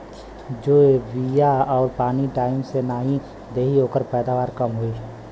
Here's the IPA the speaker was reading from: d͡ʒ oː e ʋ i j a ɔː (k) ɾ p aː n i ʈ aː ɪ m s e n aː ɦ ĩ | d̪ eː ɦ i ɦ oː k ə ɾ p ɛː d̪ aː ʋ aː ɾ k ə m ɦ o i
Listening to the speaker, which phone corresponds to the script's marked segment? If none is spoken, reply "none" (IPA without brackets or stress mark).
none